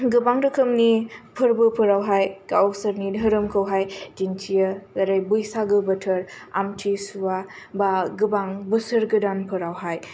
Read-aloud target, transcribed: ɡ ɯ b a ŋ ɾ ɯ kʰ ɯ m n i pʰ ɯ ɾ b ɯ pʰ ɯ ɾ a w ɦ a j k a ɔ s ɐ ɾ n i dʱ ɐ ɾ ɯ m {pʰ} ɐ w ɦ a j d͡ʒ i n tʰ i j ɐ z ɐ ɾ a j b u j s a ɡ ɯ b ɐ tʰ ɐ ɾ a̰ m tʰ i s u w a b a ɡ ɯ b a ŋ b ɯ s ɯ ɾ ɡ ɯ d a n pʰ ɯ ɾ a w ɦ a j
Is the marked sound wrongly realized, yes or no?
yes